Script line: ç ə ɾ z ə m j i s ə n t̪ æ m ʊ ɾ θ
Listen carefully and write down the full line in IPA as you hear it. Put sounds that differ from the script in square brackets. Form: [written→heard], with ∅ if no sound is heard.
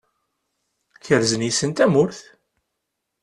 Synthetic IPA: ç ə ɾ z ə [m→n] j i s ə n t̪ æ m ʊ ɾ θ